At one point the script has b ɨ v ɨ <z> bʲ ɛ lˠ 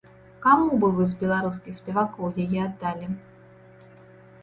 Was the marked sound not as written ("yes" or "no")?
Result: no